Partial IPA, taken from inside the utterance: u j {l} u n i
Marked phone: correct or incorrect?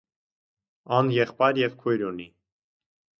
incorrect